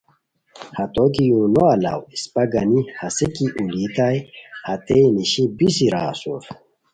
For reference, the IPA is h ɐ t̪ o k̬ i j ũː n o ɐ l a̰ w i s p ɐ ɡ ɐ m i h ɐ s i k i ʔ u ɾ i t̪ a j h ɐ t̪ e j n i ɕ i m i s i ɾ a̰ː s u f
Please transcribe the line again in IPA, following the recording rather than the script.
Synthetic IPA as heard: h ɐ t̪ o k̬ i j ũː n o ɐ l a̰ w i s p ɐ ɡ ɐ n i h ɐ s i k i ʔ u l i t̪ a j h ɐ t̪ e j n i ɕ i b i s i ɾ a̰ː s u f